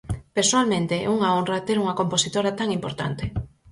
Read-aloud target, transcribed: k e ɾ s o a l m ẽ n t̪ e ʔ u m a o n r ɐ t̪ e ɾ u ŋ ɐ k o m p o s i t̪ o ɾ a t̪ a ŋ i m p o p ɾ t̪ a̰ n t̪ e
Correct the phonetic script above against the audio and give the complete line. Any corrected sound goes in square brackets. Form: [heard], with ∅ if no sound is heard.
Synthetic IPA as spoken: [p] e ɾ s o a l m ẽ n t̪ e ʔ u [ŋ] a o n r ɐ t̪ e ɾ u ŋ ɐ k o m p o s i t̪ o ɾ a t̪ a ŋ i m p o [∅] ɾ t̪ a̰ n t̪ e